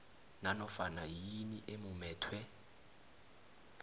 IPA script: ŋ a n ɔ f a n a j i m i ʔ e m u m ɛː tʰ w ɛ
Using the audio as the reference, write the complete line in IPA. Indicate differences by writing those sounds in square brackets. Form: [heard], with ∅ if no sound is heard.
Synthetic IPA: [n] a n ɔ f a n a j i [n] i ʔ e m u m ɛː tʰ w ɛ